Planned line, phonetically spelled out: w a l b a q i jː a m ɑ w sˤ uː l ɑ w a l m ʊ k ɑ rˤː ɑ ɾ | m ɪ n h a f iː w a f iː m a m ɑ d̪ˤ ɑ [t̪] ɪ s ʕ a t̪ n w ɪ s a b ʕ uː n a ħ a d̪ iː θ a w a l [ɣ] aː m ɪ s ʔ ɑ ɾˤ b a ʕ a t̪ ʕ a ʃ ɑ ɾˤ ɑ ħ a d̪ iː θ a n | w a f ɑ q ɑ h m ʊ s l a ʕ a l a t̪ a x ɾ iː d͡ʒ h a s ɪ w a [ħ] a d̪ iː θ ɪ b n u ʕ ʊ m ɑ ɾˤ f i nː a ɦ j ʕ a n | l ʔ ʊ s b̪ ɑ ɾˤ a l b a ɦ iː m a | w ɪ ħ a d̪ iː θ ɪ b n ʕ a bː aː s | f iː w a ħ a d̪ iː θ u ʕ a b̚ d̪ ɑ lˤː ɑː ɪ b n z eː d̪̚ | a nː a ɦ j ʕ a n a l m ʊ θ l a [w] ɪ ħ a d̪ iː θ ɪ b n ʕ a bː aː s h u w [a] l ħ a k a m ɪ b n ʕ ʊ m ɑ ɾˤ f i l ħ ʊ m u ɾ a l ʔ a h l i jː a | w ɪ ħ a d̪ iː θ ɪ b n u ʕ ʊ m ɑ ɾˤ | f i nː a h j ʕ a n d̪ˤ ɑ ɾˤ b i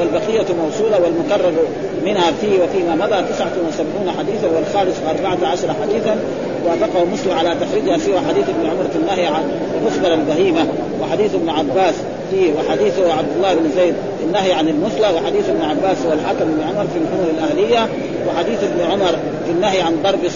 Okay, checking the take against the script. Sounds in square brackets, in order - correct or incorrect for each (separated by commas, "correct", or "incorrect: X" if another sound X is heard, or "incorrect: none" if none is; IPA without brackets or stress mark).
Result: correct, incorrect: x, correct, correct, correct